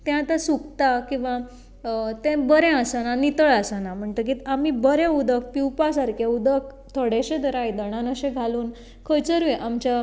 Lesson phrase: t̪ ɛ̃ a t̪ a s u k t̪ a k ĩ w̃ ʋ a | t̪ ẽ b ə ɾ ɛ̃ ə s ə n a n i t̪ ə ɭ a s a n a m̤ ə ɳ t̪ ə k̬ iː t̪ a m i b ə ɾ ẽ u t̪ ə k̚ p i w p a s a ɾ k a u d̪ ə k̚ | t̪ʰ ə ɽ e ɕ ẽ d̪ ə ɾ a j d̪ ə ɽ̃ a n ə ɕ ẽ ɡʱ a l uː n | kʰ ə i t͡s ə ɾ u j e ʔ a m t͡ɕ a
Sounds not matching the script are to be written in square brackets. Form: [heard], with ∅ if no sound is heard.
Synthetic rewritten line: t̪ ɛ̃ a t̪ a s u k t̪ a k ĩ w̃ ʋ a | t̪ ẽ b ə ɾ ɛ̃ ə s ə n a n i t̪ ə ɭ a s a n a m̤ ə ɳ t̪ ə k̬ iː t̪ a m i b ə ɾ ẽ u [d̪] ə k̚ p i w p a s a ɾ k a u d̪ ə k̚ | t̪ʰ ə ɽ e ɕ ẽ d̪ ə ɾ a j d̪ ə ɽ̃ a n ə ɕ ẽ ɡʱ a l uː n | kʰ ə [j] t͡s ə ɾ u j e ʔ a m t͡ɕ a